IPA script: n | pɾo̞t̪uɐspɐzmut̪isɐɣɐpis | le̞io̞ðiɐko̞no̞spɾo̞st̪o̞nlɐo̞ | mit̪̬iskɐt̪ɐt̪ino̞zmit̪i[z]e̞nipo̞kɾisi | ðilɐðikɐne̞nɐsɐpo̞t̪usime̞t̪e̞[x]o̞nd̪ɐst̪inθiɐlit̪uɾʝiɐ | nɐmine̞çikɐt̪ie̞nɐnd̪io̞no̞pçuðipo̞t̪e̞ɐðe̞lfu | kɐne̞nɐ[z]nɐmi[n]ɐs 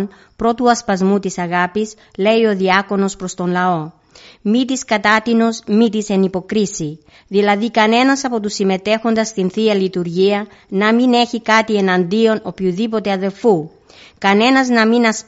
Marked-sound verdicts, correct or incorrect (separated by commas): incorrect, correct, correct, correct